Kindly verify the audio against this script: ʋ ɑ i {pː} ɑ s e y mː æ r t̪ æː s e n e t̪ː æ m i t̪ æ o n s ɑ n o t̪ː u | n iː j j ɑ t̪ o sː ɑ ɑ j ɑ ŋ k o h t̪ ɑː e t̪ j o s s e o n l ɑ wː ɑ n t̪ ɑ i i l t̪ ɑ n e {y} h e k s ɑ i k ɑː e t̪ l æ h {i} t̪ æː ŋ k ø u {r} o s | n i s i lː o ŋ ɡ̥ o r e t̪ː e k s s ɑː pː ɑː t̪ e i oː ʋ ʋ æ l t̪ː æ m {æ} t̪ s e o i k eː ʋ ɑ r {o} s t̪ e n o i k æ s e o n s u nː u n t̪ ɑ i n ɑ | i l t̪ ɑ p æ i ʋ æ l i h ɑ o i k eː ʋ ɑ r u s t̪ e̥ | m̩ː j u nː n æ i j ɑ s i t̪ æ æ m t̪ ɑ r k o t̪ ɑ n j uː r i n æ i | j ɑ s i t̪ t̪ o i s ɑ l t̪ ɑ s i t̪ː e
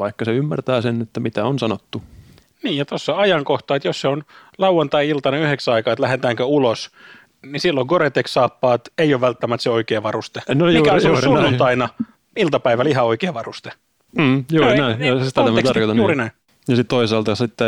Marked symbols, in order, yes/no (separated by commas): no, yes, no, no, yes, no